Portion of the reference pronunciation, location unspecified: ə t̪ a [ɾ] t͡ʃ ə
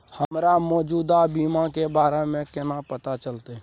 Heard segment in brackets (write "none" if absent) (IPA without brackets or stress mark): none